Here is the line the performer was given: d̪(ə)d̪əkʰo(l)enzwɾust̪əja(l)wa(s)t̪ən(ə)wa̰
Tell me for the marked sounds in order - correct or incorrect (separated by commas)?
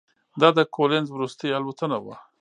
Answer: incorrect, correct, correct, incorrect, incorrect